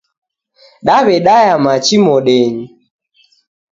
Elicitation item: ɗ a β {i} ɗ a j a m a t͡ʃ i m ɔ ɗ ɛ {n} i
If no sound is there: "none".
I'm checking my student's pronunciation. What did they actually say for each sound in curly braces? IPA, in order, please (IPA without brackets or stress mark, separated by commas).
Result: ɛ, ɲ